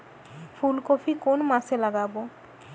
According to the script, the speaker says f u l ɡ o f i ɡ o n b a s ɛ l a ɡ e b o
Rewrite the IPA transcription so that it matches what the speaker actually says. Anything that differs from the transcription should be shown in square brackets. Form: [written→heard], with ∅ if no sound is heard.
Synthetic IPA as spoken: f u l [ɡ→k] o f i [ɡ→k] o n [b→m] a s [ɛ→e] l a ɡ [e→a] b o